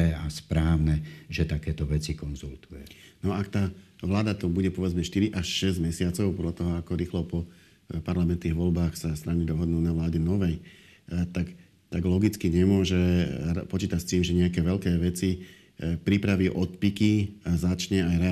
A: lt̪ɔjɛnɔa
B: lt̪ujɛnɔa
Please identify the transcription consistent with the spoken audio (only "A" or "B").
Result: B